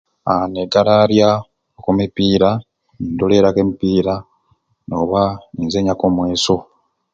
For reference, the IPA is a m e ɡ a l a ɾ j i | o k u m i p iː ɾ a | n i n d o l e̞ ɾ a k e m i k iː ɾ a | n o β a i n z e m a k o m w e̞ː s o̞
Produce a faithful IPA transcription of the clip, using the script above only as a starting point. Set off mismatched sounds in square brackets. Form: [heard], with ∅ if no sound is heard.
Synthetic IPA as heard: a [n] e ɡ a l a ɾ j [a] | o k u m i p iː ɾ a | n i n d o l e̞ ɾ a k e m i [p] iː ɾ a | n o β a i n z e [ɲ] a k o m w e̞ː s o̞